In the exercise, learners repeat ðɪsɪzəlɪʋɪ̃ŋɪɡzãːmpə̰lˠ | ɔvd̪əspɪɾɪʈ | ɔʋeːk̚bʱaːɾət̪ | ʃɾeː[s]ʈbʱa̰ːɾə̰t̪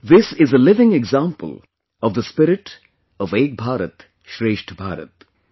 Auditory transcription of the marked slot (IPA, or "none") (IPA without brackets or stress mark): ʃ